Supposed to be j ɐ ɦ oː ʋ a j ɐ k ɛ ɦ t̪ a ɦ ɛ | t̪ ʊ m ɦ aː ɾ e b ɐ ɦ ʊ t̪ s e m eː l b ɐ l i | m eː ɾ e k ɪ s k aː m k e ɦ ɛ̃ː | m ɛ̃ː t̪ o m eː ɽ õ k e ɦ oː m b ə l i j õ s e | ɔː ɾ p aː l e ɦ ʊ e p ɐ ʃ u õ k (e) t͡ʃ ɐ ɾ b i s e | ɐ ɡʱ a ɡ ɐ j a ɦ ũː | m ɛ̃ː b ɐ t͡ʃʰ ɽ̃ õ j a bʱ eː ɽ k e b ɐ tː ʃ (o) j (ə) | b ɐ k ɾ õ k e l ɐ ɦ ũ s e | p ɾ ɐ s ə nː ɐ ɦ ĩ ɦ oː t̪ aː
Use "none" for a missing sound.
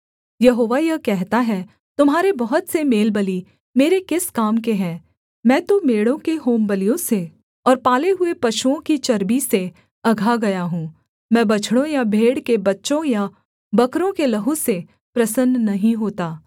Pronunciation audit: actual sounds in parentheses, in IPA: i, õ, a

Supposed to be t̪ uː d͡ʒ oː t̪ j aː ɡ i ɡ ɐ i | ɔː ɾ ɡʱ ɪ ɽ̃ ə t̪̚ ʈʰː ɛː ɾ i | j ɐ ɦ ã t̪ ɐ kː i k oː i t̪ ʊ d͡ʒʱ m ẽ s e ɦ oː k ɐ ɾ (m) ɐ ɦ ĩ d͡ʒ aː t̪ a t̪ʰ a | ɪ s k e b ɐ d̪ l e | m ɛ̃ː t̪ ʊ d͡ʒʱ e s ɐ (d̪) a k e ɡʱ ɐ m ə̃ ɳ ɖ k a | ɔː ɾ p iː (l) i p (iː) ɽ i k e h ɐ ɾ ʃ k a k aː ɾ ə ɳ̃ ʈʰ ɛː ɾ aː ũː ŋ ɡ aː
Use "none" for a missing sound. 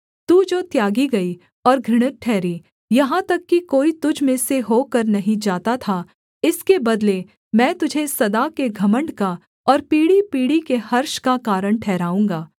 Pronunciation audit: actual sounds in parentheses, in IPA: n, d̪, ɽ, iː

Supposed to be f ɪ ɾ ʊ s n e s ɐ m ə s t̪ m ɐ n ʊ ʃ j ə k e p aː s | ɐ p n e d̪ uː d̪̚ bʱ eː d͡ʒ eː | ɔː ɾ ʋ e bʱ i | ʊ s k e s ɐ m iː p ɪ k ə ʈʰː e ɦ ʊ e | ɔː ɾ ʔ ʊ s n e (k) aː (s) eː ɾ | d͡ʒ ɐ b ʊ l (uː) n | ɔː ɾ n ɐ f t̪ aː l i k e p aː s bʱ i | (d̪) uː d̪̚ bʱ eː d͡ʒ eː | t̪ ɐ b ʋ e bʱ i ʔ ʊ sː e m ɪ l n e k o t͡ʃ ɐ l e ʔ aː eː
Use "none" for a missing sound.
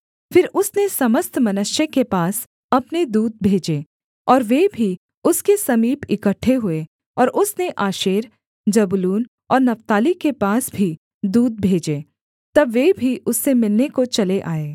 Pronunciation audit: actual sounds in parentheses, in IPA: ʔ, ʃ, uː, d̪

